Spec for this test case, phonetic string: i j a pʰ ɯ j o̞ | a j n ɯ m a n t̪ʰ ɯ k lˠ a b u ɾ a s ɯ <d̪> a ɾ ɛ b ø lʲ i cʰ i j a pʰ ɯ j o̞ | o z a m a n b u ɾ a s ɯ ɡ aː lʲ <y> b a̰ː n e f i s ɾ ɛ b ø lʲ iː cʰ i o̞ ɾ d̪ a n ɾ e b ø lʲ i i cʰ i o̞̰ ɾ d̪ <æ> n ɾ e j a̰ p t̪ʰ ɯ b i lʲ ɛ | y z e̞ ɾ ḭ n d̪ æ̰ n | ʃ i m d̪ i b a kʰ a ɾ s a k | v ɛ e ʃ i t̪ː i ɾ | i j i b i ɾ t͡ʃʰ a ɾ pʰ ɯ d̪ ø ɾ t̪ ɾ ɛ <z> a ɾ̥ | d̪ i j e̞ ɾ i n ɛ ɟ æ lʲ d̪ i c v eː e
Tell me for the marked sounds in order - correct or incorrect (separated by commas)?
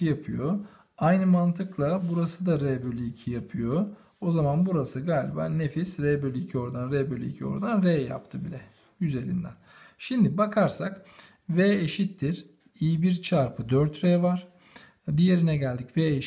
correct, incorrect, incorrect, incorrect